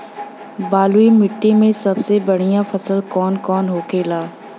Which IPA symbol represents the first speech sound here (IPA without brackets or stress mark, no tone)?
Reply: b